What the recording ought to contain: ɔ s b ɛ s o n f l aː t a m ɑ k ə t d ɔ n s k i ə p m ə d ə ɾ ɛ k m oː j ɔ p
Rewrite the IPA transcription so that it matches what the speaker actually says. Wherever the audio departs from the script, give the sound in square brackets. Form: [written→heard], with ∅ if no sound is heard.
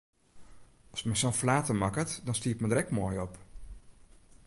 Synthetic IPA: ɔ s [b→m] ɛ s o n f l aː t [a→ə] m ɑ k ə t d ɔ n s [k→t] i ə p m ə d ə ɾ ɛ k m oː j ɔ p